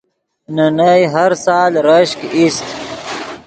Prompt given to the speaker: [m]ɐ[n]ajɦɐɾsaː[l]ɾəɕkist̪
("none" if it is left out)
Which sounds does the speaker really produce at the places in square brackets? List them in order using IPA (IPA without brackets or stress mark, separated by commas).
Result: n, n, l